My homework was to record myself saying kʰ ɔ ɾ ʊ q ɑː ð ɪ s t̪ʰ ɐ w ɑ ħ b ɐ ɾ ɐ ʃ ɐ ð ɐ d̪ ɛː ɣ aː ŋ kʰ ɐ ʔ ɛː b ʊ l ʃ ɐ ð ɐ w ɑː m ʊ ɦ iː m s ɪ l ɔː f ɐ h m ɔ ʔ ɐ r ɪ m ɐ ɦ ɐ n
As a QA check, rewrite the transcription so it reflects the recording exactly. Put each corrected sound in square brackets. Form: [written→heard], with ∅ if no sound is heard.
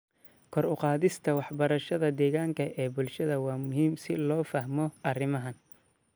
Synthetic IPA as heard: kʰ ɔ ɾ ʊ q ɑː ð ɪ s t̪ʰ ɐ w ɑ ħ b ɐ ɾ ɐ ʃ ɐ ð ɐ d̪ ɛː ɣ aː ŋ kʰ ɐ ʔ ɛː b ʊ l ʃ ɐ ð ɐ w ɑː m ʊ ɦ iː m s ɪ l ɔː f ɐ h m ɔ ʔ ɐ r ɪ m ɐ ɦ ɐ n